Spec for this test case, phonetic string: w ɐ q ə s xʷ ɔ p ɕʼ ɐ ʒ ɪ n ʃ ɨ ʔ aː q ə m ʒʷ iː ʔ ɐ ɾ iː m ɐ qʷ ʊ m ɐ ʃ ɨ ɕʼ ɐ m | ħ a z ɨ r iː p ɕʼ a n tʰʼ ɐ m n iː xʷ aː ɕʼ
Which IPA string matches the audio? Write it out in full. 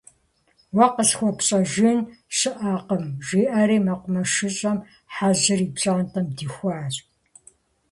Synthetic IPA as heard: w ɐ q ə s xʷ ɔ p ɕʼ ɐ ʒ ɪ n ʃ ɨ ʔ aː q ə m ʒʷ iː ʔ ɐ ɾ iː m ɐ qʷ ʊ m ɐ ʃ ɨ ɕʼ ɐ m | ħ a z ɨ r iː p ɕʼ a n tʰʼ ɐ m d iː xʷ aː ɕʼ